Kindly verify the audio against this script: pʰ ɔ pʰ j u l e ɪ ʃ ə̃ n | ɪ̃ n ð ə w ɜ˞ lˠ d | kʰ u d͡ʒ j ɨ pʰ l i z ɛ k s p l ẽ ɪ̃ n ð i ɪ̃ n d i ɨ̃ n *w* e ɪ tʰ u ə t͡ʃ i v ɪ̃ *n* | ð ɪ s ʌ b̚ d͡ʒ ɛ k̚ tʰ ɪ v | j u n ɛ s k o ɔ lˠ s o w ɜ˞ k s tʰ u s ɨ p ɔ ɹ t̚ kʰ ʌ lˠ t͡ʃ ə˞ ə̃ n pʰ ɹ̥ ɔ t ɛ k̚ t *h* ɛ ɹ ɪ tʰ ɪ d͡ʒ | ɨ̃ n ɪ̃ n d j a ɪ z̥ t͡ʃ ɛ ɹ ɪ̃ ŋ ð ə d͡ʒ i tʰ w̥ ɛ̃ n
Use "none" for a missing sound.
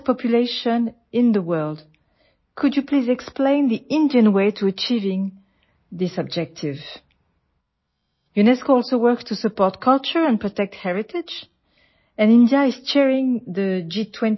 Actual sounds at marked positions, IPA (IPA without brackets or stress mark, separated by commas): w, ŋ, h